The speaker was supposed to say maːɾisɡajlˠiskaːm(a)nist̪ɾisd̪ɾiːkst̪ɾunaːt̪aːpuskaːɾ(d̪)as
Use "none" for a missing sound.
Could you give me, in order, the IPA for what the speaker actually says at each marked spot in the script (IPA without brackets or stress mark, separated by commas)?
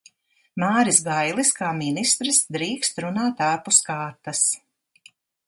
i, t̪